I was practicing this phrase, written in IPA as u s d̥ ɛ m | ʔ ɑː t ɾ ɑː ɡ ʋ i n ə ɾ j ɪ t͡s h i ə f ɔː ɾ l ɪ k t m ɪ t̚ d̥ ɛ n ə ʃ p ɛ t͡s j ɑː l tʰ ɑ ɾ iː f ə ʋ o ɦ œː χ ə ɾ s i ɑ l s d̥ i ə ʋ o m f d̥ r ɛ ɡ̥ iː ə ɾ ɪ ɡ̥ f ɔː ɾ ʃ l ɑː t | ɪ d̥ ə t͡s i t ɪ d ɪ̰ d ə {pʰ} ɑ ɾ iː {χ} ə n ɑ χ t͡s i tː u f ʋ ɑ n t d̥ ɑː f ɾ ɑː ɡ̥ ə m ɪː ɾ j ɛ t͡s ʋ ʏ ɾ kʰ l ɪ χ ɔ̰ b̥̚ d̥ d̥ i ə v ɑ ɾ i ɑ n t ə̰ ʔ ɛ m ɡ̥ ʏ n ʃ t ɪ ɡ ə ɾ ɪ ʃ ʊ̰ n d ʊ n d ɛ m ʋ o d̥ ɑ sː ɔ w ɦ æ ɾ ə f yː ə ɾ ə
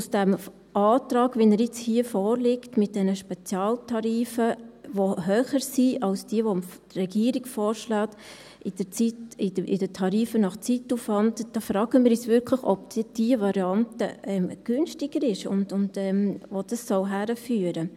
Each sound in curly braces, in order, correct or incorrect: incorrect: tʰ, incorrect: f

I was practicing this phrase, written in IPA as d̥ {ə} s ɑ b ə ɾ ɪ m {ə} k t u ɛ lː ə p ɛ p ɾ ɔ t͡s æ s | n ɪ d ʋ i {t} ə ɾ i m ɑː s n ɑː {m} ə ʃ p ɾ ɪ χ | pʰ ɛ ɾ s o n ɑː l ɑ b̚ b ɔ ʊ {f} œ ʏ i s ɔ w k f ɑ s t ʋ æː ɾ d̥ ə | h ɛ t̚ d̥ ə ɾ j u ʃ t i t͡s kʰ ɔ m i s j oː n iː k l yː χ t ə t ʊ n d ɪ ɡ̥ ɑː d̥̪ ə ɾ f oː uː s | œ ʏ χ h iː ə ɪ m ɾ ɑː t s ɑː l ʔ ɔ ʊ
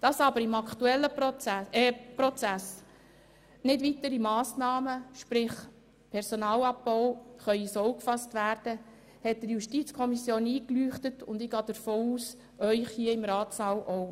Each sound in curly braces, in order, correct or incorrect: incorrect: ɑ, incorrect: ɑ, correct, correct, incorrect: χ

